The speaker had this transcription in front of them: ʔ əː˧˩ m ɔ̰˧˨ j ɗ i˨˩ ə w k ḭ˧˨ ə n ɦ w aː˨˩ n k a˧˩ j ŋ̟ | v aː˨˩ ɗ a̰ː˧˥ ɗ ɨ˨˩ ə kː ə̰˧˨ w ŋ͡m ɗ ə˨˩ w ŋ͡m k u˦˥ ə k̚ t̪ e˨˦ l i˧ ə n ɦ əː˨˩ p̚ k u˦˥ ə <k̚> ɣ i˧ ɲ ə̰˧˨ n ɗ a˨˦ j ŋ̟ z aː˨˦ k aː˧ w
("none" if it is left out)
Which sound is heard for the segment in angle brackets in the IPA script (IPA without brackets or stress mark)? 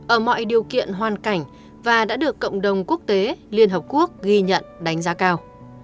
k̚